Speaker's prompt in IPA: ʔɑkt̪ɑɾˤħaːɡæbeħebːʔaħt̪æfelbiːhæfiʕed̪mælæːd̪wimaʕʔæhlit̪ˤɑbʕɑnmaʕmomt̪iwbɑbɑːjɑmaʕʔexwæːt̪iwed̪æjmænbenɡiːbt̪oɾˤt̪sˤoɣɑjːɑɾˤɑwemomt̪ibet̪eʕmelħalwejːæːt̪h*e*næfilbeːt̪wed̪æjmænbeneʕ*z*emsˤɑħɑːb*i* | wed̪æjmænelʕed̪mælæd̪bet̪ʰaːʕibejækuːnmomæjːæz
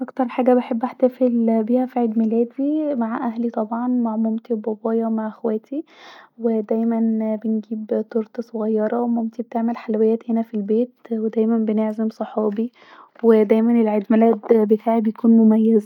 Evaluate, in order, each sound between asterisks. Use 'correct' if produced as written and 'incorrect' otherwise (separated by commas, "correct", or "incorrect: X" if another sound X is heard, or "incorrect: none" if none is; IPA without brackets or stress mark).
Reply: correct, correct, correct